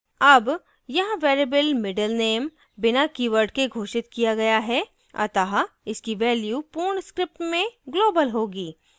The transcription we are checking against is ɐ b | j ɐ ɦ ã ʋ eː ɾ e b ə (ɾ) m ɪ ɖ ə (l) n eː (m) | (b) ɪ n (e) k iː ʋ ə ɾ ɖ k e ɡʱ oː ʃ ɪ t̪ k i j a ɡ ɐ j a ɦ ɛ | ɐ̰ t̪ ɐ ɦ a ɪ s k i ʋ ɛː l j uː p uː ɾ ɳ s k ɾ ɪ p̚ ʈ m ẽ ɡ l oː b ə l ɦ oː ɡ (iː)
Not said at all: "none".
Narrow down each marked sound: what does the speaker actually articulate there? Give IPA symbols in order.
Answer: l, l, m, b, a, iː

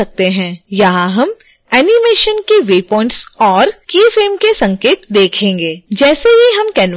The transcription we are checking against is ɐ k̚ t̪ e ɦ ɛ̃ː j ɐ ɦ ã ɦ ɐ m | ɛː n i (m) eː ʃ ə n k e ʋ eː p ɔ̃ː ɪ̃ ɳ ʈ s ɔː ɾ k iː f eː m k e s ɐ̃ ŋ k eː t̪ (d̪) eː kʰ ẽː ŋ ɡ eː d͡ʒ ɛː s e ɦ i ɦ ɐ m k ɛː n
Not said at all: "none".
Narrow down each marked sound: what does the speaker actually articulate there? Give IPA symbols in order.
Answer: m, d̪

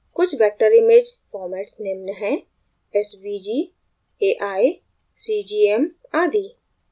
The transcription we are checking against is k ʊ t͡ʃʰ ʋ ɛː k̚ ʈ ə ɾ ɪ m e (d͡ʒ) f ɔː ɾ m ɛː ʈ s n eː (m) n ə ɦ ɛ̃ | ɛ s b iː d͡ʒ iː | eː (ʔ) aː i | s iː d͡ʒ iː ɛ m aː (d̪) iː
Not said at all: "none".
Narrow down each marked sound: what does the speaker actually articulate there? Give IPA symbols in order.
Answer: d͡ʒ, m, ʔ, d̪

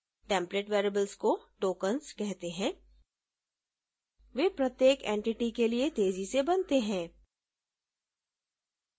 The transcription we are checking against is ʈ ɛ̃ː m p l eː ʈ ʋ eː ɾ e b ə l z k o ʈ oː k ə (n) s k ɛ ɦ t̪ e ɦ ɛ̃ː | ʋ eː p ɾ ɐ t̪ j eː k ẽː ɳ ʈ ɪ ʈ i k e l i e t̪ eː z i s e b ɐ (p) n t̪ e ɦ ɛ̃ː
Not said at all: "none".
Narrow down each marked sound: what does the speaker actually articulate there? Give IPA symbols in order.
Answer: n, none

